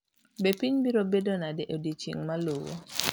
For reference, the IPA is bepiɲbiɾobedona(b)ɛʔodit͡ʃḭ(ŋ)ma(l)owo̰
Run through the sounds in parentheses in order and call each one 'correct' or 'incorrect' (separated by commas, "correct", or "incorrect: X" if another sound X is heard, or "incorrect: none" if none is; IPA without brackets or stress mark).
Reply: incorrect: d, correct, correct